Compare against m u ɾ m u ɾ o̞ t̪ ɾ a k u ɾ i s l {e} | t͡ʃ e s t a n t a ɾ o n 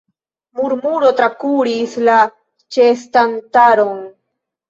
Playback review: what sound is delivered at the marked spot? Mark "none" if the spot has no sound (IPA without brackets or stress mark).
a